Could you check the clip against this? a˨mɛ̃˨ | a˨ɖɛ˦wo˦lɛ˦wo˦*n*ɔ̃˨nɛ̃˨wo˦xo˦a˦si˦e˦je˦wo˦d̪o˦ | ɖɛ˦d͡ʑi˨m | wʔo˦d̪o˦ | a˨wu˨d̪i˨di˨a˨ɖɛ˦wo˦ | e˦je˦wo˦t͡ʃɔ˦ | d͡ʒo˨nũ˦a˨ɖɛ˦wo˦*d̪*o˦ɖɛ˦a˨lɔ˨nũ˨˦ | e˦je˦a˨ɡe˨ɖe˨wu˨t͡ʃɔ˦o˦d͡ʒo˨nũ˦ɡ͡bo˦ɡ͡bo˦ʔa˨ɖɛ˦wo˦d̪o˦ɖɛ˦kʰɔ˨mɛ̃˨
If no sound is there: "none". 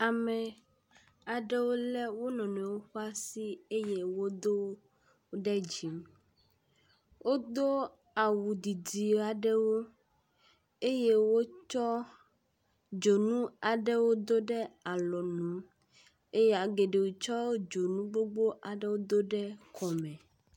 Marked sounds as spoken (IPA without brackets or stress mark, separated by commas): n, d̪